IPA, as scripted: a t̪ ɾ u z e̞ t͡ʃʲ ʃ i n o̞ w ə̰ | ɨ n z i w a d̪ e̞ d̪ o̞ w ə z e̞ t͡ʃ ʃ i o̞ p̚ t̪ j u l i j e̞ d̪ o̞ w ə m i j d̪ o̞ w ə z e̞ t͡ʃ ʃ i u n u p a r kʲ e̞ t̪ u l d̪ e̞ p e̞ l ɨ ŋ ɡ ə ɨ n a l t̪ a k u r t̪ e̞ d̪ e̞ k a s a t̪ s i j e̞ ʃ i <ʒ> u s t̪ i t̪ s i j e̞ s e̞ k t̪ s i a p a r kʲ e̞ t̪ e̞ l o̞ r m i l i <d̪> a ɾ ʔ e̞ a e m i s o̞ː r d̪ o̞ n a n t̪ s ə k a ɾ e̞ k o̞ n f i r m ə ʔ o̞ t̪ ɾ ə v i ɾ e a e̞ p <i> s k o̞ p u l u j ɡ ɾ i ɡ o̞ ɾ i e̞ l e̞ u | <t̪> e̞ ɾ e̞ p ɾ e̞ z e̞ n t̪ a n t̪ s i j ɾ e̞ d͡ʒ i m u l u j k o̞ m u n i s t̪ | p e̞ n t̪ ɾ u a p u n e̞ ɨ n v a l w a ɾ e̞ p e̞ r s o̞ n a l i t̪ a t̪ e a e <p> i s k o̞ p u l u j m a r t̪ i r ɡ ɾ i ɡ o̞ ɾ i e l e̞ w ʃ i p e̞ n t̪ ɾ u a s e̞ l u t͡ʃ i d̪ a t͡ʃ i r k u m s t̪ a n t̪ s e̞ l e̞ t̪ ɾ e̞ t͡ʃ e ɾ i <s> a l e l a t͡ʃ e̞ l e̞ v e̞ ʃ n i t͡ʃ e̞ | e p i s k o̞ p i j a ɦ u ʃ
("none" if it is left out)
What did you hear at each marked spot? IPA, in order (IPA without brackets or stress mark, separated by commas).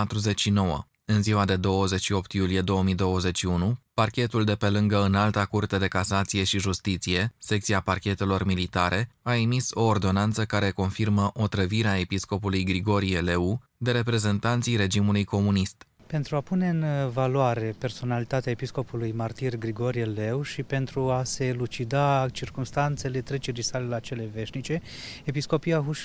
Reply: ʒ, t̪, i, d̪, p, s